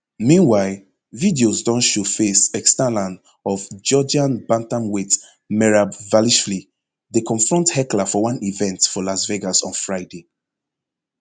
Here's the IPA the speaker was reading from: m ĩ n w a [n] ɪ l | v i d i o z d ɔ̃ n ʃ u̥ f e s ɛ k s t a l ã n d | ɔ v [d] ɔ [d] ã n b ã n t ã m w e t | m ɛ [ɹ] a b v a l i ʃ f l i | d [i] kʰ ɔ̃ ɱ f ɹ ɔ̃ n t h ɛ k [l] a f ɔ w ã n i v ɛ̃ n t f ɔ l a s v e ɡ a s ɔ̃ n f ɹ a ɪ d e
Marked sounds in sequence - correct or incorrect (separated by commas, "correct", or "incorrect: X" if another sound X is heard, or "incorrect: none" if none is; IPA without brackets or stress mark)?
incorrect: none, incorrect: d͡ʒ, incorrect: d͡ʒ, correct, incorrect: e, correct